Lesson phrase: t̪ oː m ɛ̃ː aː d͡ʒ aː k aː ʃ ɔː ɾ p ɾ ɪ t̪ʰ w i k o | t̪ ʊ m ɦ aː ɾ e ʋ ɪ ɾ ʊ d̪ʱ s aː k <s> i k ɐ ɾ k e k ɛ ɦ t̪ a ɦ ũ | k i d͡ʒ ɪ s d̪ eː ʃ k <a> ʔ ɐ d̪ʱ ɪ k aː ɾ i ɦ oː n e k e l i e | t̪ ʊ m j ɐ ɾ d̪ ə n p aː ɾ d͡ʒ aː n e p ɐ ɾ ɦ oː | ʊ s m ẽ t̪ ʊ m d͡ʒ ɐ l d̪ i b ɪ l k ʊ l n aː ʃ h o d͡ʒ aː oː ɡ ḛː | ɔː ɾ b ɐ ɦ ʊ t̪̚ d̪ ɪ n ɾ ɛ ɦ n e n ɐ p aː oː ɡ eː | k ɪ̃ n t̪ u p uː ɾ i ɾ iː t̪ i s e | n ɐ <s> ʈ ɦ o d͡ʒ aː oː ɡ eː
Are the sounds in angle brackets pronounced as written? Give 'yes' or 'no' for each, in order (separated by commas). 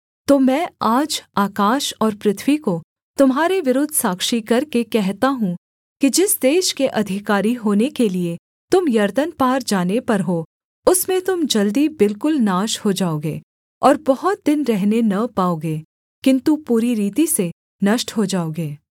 no, no, no